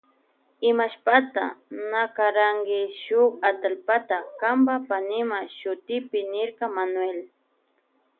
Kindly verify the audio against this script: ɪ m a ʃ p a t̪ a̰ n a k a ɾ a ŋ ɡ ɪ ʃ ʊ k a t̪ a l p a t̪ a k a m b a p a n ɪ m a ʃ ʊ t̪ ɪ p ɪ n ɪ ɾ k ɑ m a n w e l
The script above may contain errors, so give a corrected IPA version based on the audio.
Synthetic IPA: ɪ m a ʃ p a t̪ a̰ n a k a ɾ a ŋ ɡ ɪ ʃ ʊ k a t̪ a l p a t̪ a k a m b a p a n ɪ m a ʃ ʊ t̪ ɪ p ɪ n ɪ ɾ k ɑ m a n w e l